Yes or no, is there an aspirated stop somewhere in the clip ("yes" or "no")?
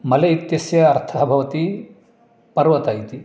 yes